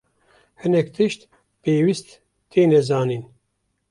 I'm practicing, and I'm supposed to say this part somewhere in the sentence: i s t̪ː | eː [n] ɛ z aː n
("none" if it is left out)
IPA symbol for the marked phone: n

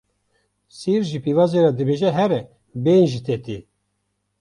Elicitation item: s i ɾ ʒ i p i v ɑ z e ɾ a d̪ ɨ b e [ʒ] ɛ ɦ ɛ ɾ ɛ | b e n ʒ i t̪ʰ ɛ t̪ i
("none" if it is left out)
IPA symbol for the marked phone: ʒ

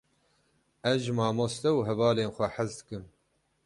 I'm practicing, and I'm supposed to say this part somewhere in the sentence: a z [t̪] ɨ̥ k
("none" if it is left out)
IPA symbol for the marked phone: d̪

